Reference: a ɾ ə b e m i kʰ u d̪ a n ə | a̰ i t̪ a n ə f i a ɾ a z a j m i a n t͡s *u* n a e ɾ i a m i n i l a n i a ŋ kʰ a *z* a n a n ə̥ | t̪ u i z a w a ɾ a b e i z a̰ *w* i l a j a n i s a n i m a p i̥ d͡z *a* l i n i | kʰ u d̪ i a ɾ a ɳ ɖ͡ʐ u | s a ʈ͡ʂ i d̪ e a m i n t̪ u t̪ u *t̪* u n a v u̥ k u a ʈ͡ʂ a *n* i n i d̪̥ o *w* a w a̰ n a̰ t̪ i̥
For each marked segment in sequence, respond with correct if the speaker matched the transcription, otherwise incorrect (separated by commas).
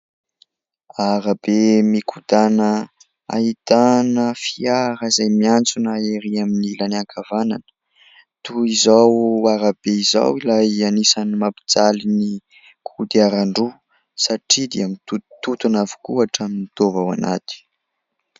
correct, incorrect, correct, correct, correct, incorrect, incorrect